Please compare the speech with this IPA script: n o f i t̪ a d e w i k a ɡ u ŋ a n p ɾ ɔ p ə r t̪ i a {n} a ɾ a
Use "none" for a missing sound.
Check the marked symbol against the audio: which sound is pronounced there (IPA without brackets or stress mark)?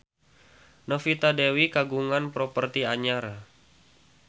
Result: ɲ